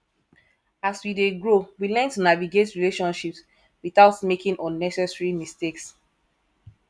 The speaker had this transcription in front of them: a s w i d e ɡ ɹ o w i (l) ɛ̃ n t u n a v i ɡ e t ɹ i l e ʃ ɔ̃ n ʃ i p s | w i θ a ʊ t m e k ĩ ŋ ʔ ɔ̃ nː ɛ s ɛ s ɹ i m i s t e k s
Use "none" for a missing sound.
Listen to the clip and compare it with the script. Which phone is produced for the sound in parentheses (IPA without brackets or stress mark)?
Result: l